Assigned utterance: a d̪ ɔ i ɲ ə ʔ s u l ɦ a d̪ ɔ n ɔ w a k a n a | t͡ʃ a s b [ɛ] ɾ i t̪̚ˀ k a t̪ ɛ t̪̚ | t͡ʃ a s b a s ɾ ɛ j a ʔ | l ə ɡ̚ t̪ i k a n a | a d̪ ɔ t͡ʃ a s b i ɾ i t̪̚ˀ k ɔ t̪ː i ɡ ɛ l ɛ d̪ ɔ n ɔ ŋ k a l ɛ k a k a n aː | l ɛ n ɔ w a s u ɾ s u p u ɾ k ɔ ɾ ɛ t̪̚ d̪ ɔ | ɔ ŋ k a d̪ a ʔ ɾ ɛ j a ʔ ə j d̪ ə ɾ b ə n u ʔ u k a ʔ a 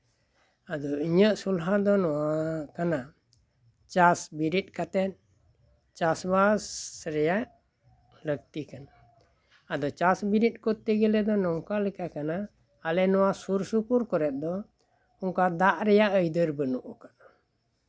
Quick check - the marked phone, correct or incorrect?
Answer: incorrect